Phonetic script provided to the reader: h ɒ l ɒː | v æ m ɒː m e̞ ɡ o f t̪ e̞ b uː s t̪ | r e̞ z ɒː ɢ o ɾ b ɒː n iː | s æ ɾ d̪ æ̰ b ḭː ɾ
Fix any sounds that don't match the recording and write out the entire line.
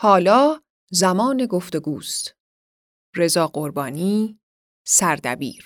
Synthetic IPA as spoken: h ɒː l ɒː | z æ m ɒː n e̞ ɡ o f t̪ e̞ ɡ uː s t̪ | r e̞ z ɒː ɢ o ɾ b ɒː n iː | s æ ɾ d̪ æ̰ b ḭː ɾ